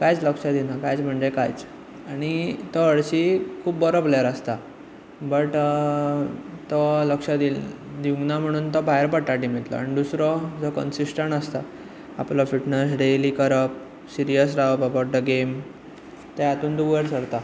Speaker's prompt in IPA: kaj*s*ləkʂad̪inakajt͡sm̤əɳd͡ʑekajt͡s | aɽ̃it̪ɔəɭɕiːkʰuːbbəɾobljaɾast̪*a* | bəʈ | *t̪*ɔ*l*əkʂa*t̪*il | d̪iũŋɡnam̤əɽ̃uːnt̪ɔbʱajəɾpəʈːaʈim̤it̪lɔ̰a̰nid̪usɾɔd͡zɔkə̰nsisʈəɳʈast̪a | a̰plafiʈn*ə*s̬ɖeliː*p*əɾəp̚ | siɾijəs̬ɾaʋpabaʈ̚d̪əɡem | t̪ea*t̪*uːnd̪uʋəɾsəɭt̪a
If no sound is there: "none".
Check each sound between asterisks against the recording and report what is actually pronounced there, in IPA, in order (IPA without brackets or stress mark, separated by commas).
t͡s, a, t̪, l, d̪, ə, k, t̪